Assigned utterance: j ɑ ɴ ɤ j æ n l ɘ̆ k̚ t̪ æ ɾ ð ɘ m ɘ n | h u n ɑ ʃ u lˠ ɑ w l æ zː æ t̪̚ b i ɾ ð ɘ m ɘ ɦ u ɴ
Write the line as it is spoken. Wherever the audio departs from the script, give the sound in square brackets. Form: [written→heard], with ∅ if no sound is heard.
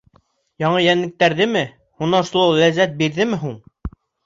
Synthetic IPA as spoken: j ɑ ɴ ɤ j æ n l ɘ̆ k̚ t̪ æ ɾ ð ɘ m ɘ [n→∅] | h u n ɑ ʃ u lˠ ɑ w l æ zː æ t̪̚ b i ɾ ð ɘ m ɘ ɦ u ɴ